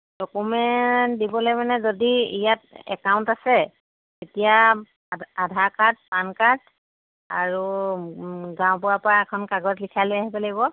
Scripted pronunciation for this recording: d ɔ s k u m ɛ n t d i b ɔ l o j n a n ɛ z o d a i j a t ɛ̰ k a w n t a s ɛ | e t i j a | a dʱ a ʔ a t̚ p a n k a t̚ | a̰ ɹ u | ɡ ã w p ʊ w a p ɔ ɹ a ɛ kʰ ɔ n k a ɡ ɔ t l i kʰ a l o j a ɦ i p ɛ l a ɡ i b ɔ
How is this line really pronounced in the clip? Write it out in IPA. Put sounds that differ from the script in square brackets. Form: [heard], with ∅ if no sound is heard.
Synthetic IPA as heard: d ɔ [∅] k u m ɛ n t d i b ɔ l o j [m] a n ɛ z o d [i] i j a t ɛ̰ k a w n t a s ɛ | e t i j a | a dʱ a [k] a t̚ p a n k a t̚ | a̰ ɹ u | ɡ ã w p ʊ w a p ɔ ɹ a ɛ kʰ ɔ n k a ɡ ɔ t l i kʰ a l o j a ɦ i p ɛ l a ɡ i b ɔ